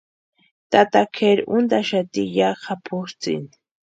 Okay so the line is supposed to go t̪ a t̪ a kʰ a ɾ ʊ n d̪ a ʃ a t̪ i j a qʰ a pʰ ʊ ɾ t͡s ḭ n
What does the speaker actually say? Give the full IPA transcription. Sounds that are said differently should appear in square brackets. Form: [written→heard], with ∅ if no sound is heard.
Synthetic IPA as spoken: t̪ a t̪ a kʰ [a→e] ɾ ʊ n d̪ a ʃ a t̪ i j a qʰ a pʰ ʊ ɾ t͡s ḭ n